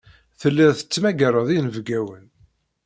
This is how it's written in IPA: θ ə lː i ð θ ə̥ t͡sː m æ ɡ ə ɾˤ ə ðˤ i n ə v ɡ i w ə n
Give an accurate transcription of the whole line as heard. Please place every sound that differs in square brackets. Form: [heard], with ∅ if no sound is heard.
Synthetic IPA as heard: θ ə lː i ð θ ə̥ t͡sː m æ ɡ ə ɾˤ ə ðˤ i n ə v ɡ [æ] w ə n